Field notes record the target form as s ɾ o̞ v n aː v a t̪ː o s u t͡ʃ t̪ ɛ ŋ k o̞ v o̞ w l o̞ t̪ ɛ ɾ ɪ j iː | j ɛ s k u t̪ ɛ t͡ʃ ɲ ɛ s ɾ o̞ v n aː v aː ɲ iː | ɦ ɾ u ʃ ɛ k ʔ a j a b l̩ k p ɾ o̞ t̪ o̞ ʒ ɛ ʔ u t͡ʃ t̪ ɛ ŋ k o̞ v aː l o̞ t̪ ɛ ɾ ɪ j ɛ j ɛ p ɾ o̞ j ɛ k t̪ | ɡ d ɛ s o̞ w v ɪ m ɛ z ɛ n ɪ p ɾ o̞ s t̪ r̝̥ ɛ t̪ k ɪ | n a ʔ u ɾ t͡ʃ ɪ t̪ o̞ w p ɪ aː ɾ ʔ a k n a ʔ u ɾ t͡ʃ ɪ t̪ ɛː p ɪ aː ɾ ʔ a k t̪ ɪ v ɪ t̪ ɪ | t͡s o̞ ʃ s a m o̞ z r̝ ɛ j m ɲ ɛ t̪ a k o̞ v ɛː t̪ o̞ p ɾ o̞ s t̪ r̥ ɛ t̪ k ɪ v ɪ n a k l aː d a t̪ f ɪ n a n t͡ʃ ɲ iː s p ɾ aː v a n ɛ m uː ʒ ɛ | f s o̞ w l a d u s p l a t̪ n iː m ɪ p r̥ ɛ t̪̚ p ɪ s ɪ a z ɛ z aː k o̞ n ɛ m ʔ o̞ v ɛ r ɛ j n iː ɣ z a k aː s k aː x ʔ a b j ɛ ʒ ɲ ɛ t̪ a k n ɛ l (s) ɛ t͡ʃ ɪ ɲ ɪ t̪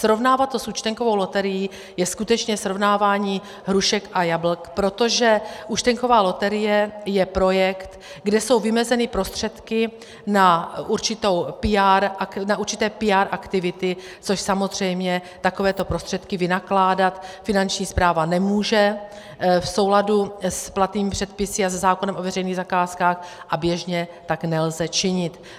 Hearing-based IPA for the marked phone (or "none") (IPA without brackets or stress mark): z